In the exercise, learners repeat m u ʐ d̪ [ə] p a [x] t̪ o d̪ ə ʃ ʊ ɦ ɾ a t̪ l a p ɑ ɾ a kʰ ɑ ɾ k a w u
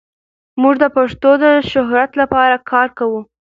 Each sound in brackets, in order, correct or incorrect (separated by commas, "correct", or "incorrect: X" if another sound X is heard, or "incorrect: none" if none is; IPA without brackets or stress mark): correct, incorrect: ʂ